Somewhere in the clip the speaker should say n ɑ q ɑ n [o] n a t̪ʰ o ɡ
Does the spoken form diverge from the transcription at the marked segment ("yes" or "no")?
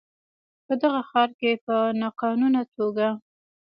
yes